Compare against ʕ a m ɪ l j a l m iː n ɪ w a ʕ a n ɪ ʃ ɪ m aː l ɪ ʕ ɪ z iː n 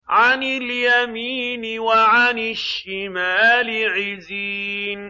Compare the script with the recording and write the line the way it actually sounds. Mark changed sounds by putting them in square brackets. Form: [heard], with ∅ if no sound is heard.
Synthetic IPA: ʕ a [n] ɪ l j a [∅] m iː n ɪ w a ʕ a n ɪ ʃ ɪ m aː l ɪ ʕ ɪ z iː n

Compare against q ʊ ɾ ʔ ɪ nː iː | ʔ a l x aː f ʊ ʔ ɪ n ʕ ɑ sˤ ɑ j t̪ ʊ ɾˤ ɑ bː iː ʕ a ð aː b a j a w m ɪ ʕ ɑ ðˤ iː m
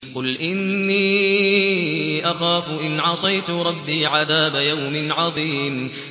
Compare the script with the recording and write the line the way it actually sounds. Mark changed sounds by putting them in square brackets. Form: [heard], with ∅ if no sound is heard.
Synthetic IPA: q ʊ [l] ʔ ɪ nː iː | ʔ a [∅] x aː f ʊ ʔ ɪ n ʕ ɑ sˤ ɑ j t̪ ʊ ɾˤ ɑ bː iː ʕ a ð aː b a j a w m ɪ ʕ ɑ ðˤ iː m

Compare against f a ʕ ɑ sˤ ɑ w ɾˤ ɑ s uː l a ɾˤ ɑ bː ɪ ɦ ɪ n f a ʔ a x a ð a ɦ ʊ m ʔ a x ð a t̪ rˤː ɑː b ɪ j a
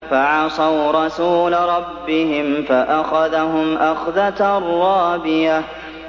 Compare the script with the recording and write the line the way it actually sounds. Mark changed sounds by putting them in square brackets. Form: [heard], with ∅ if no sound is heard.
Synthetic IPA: f a ʕ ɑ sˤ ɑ w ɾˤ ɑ s uː l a ɾˤ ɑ bː ɪ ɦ ɪ [m] f a ʔ a x a ð a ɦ ʊ m ʔ a x ð a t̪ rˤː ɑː b ɪ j a

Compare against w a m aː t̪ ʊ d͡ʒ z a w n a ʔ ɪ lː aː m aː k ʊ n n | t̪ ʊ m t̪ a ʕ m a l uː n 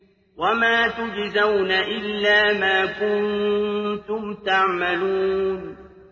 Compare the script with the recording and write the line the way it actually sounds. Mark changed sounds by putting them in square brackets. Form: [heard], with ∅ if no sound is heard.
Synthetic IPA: w a m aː t̪ ʊ d͡ʒ z a w n a ʔ ɪ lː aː m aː k ʊ n n | t̪ ʊ m t̪ a ʕ m a l uː n

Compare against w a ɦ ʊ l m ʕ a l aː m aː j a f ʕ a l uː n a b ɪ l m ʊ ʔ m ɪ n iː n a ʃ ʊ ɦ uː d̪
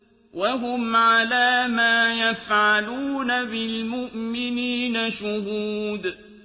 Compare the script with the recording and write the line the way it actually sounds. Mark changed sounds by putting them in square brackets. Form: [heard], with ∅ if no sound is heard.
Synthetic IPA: w a ɦ ʊ [∅] m ʕ a l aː m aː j a f ʕ a l uː n a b ɪ l m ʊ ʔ m ɪ n iː n a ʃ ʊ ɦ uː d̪

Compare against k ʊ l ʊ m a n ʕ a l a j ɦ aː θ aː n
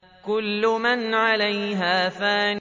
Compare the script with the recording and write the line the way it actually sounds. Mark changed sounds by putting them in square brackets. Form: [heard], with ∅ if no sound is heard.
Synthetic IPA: k ʊ [lː] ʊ m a n ʕ a l a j ɦ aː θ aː n

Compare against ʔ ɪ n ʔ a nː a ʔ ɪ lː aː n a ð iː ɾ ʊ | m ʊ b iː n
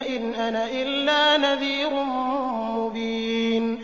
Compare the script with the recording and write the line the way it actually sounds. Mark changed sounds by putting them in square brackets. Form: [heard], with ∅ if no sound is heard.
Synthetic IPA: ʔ ɪ n ʔ a [n] a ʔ ɪ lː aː n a ð iː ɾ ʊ | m ʊ b iː n

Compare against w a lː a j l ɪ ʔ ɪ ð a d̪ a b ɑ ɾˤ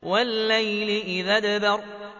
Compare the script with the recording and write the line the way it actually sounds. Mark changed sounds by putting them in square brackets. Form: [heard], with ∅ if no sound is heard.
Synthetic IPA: w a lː a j l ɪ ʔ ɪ ð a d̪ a b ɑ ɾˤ

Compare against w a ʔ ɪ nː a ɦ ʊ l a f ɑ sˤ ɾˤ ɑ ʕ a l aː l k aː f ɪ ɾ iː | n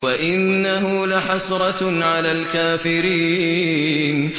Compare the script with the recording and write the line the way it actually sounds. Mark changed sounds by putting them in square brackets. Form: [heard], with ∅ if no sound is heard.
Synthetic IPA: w a ʔ ɪ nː a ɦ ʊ l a [ħ] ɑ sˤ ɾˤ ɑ ʕ a l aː l k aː f ɪ ɾ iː | n

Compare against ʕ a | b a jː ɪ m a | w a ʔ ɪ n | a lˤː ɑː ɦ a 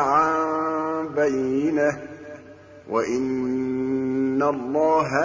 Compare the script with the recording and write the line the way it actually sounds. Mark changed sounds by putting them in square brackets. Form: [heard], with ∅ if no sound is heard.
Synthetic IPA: ʕ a | b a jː ɪ [n] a | w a ʔ ɪ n | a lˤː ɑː ɦ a

